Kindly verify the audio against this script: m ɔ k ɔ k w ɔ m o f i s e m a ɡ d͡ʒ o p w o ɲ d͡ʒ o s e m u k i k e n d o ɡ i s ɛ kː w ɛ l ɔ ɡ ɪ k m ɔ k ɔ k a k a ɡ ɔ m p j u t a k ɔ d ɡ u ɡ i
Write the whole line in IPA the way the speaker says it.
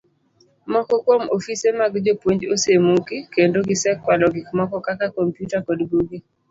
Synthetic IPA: m ɔ k ɔ k w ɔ m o f i s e m a ɡ d͡ʒ o p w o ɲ d͡ʒ o s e m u k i k e n d o ɡ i s ɛ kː w a l ɔ ɡ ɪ k m ɔ k ɔ k a k a k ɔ m p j u t a k ɔ d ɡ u ɡ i